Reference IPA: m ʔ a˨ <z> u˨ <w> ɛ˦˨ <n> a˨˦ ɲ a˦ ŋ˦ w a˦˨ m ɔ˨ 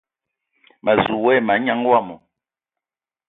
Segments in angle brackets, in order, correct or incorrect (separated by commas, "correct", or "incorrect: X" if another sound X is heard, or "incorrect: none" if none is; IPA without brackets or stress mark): correct, correct, incorrect: m